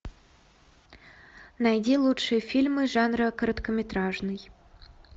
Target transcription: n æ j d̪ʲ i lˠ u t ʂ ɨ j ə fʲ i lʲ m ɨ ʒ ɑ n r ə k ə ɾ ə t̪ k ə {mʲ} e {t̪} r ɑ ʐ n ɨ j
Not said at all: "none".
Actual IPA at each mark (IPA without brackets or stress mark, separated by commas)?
mʲ, t̪